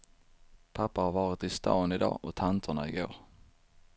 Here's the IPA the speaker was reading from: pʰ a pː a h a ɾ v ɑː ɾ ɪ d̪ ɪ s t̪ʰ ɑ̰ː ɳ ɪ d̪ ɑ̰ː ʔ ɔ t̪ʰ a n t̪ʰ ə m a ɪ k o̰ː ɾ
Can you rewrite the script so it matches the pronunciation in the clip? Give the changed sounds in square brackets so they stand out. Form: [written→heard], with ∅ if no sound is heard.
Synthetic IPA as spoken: pʰ a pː a h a ɾ v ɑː ɾ ɪ [d̪→t̪] ɪ s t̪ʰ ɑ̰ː [ɳ→n] ɪ d̪ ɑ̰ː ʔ ɔ t̪ʰ a n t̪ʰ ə [m→ɳ] a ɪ [k→ɡ] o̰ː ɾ

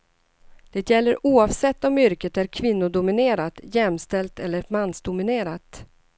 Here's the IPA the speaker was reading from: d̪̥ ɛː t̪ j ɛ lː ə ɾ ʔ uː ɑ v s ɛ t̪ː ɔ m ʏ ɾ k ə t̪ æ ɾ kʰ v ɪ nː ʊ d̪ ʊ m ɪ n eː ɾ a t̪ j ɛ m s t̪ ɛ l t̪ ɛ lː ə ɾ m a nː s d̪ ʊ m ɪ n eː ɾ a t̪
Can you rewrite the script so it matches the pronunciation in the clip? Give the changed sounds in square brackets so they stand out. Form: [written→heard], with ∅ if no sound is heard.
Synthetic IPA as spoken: d̪̥ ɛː t̪ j ɛ lː ə ɾ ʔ uː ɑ v s ɛ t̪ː ɔ m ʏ ɾ k ə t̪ æ ɾ kʰ v ɪ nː ʊ d̪ ʊ m ɪ n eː ɾ a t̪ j ɛ m s t̪ ɛ l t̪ ɛ lː ə ɾ m a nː s d̪ ʊ m ɪ n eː ɾ a t̪

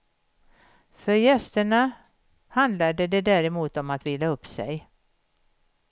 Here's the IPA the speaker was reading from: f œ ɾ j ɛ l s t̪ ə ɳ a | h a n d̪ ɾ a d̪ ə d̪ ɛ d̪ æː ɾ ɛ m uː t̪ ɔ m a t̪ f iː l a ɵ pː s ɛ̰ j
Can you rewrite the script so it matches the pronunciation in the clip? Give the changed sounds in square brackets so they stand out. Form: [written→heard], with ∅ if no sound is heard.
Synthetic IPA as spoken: f œ ɾ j ɛ [l→∅] s t̪ ə ɳ a | h a n d̪ [ɾ→l] a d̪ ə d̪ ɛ d̪ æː ɾ ɛ m uː t̪ ɔ m a t̪ [f→v] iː l a ɵ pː s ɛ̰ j

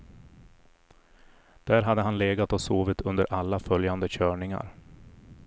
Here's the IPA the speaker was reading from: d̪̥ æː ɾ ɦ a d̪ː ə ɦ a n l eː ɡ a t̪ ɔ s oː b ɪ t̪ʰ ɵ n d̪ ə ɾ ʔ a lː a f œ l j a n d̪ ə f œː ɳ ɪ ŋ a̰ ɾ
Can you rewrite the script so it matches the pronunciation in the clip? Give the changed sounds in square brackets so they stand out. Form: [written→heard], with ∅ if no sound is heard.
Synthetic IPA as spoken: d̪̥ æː ɾ ɦ a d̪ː ə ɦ a n l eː ɡ a t̪ ɔ s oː [b→v] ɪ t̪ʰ ɵ n d̪ ə ɾ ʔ a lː a f œ l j a n d̪ ə [f→ɕ] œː ɳ ɪ ŋ a̰ ɾ

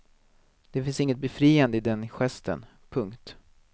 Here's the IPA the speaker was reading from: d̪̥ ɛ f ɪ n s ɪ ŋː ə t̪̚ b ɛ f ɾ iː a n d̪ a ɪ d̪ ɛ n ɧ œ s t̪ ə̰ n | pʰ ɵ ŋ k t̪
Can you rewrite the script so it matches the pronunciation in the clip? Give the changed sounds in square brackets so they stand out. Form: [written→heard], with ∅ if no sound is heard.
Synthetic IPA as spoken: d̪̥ ɛ f ɪ n s ɪ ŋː ə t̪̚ b ɛ f ɾ iː a n d̪ [a→ə] ɪ d̪ ɛ n ɧ [œ→ɛ] s t̪ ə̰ n | pʰ ɵ ŋ k t̪

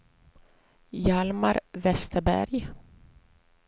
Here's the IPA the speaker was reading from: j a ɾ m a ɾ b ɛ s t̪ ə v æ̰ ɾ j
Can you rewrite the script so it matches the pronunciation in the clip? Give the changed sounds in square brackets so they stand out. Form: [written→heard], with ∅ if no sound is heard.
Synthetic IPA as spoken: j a [ɾ→l] m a ɾ [b→v] ɛ s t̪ ə [v→b] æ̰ ɾ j

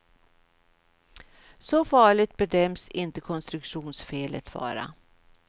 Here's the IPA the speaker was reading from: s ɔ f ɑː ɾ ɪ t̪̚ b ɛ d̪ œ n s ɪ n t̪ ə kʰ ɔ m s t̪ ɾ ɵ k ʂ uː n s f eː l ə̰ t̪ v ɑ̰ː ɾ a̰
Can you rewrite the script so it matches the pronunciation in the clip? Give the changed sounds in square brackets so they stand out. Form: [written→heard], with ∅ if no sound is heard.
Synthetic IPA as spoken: s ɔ f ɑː [ɾ→ɭ] ɪ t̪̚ b ɛ d̪ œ [n→m] s ɪ n t̪ ə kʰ ɔ [m→n] s t̪ ɾ ɵ k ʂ uː n s f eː l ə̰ t̪ v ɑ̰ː ɾ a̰

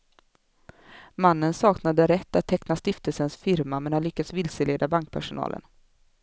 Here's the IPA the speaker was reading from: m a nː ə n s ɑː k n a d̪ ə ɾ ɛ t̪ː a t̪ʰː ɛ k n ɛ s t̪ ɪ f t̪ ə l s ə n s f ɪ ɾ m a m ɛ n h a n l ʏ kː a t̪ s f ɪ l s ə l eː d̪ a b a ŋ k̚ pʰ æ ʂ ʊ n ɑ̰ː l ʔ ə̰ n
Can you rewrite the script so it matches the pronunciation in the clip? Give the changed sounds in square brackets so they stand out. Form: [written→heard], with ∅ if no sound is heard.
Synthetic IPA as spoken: m a nː ə n s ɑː k n a d̪ ə ɾ ɛ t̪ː a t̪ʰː ɛ k n [ɛ→a] s t̪ ɪ f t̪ ə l s ə n s f ɪ ɾ m a m ɛ n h a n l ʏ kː a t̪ s [f→v] ɪ l s ə l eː d̪ a b a ŋ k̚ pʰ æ ʂ ʊ n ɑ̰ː l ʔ ə̰ n

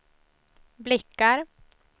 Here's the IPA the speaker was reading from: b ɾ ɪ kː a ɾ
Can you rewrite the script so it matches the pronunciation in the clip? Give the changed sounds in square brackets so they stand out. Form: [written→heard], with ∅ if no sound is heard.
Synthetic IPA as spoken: b [ɾ→l] ɪ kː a ɾ

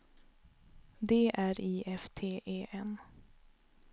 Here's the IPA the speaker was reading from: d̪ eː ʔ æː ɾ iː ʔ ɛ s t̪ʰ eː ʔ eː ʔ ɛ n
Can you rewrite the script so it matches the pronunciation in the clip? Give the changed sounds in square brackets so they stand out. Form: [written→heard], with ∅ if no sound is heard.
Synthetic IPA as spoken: d̪ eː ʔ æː ɾ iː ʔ ɛ [s→f] t̪ʰ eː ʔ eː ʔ ɛ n

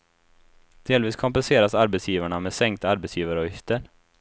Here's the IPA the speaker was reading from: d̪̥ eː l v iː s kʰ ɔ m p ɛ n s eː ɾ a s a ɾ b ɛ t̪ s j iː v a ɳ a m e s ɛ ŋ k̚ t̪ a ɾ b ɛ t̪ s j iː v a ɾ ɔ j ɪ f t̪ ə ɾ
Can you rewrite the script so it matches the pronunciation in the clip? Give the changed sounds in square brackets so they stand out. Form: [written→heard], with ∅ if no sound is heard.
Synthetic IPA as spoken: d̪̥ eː l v iː s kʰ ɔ m p ɛ n s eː ɾ a s a ɾ b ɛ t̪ s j iː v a ɳ a m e s ɛ ŋ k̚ t̪ a ɾ b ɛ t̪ s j iː v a ɾ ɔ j ɪ f t̪ ə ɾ

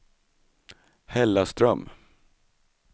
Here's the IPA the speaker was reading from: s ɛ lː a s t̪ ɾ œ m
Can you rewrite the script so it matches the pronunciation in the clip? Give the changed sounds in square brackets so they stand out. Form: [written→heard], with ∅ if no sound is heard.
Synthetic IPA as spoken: [s→h] ɛ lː a s t̪ ɾ œ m

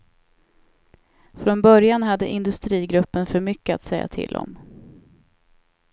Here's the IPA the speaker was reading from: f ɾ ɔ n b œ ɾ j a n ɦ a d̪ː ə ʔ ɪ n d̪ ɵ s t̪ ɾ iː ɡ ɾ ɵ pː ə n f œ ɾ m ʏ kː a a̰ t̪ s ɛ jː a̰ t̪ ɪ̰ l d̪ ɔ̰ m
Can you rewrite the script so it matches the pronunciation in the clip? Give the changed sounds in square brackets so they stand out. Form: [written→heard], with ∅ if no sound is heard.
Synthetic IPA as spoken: f ɾ ɔ n b œ ɾ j a n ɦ a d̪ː ə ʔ ɪ n d̪ ɵ s t̪ ɾ iː ɡ ɾ ɵ pː ə n f œ ɾ m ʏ kː [a→ə] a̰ t̪ s ɛ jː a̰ [t̪→t̪ʰ] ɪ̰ l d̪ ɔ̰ m

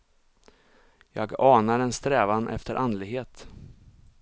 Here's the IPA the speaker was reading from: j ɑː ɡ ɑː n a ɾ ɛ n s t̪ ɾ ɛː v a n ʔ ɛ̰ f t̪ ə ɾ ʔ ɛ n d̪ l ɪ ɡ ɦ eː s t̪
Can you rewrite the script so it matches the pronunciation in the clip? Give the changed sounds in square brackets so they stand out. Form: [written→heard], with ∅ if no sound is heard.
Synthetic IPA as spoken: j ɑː ɡ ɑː n a ɾ ɛ n s t̪ ɾ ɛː v a n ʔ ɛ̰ f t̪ ə ɾ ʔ [ɛ→a] n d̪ l ɪ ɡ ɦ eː [s→∅] t̪

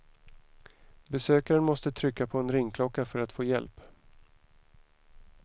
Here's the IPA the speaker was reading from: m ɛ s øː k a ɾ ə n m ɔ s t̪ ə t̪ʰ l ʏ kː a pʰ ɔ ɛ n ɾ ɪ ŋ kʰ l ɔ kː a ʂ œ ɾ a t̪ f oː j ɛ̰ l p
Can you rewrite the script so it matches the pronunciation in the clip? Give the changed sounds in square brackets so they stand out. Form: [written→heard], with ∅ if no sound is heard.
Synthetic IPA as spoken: [m→b] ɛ s øː k a ɾ ə n m ɔ s t̪ ə t̪ʰ [l→ɾ] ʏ kː a pʰ ɔ ɛ n ɾ ɪ ŋ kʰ l ɔ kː a [ʂ→f] œ ɾ a t̪ f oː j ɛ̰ l p

